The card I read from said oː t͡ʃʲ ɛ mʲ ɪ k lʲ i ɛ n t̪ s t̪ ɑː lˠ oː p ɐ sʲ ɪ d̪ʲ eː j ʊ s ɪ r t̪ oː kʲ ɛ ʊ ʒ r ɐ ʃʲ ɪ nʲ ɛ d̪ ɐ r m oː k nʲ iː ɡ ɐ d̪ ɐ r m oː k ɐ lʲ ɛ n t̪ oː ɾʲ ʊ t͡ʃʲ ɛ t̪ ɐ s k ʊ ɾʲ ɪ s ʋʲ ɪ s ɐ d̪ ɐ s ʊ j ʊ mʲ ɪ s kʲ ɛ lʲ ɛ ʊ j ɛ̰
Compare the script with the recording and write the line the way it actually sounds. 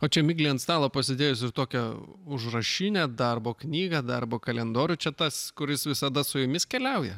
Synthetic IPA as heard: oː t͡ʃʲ ɛ mʲ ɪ ɡ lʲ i ɛ n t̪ s t̪ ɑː lˠ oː p ɐ sʲ ɪ d̪ʲ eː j ʊ s ɪ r t̪ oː kʲ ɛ ʊ ʒ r ɐ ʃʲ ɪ nʲ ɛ d̪ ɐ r b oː k nʲ iː ɡ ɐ d̪ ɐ r b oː k ɐ lʲ ɛ n d̪ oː ɾʲ ʊ t͡ʃʲ ɛ t̪ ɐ s k ʊ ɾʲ ɪ s ʋʲ ɪ s ɐ d̪ ɐ s ʊ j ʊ mʲ ɪ s kʲ ɛ lʲ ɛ ʊ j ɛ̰